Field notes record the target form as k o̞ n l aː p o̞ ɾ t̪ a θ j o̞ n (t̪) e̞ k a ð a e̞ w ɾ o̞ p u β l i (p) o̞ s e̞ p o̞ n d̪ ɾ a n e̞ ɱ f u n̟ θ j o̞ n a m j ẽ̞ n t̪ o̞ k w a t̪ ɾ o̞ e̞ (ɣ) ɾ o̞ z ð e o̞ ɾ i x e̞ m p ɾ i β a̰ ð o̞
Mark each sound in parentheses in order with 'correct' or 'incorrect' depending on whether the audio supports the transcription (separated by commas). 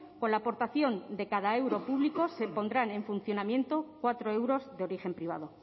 incorrect, incorrect, incorrect